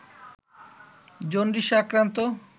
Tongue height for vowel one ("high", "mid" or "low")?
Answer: mid